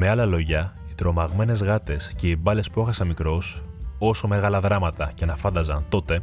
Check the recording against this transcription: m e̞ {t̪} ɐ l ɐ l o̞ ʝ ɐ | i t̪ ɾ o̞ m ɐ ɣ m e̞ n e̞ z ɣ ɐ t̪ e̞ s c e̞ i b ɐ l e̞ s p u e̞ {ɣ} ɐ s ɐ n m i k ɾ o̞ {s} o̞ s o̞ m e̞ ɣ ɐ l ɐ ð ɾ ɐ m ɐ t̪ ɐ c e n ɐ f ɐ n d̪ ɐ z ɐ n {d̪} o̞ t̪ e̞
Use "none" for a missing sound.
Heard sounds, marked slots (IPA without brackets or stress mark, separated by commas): none, x, s, t̪